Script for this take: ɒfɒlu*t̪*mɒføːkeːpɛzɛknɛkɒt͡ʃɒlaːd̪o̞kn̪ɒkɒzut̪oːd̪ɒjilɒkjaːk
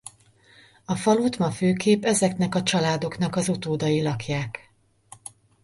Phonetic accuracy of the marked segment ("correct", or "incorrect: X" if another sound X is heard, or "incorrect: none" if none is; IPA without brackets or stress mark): correct